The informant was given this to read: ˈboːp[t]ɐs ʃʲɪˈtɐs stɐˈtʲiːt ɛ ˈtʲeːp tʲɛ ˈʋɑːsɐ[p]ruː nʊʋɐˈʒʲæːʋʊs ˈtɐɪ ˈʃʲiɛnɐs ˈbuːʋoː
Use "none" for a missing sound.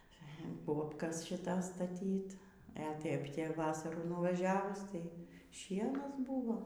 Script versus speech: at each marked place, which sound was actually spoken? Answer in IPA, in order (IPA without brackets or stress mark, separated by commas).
k, none